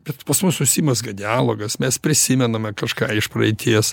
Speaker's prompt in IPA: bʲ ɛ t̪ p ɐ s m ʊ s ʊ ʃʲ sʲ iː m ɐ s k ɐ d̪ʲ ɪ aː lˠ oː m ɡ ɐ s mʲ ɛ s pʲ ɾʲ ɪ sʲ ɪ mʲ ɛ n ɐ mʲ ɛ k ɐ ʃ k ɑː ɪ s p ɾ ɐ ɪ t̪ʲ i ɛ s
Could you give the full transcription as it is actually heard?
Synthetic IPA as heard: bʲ ɛ t̪ p ɐ s m ʊ s ʊ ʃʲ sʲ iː m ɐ s ɡ ɐ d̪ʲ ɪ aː lˠ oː ɡ ɐ s mʲ ɛ s pʲ ɾʲ ɪ sʲ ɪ mʲ ɛ n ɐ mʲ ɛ k ɐ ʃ k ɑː ɪ ʃ p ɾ ɐ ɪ t̪ʲ i ɛ s